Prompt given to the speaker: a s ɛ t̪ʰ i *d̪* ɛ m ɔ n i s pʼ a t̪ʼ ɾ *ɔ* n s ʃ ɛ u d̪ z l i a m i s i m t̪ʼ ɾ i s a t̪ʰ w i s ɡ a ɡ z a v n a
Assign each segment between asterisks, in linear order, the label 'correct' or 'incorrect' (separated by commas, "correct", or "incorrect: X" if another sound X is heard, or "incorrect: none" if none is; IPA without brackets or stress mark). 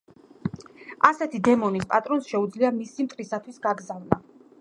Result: correct, correct